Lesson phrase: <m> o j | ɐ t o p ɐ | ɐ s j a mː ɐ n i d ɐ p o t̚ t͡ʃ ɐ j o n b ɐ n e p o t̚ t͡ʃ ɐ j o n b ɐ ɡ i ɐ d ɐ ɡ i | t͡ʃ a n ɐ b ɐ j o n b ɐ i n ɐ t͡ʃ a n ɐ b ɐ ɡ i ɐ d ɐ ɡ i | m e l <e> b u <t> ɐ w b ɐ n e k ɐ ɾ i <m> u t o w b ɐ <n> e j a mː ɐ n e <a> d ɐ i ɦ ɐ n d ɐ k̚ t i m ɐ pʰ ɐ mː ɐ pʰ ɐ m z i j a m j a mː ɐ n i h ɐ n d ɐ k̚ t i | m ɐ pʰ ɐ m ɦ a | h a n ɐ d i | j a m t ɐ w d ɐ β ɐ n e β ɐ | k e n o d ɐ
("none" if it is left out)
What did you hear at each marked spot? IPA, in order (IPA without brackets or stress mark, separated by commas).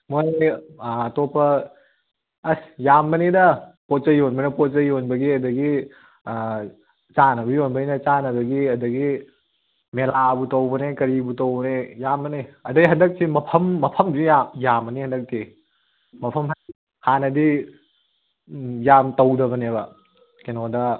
m, a, t, b, n, ɐ